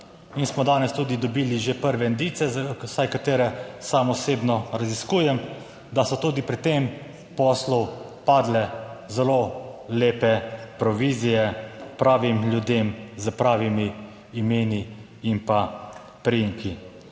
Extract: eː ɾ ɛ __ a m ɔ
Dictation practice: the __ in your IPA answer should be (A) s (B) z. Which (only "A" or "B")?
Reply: A